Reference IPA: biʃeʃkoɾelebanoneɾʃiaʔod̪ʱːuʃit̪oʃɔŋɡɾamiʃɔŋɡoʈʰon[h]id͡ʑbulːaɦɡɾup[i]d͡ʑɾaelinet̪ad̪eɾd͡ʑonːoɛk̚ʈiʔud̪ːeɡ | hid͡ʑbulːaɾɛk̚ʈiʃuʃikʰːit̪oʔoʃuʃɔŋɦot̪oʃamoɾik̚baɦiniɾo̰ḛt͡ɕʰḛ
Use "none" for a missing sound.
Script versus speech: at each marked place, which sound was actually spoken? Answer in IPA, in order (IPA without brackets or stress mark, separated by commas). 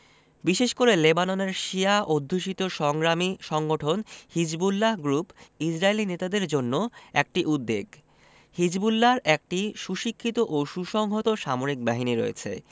h, i